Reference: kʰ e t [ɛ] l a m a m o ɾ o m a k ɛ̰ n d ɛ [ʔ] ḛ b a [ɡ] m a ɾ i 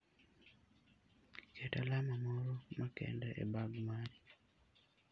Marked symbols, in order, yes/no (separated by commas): no, yes, yes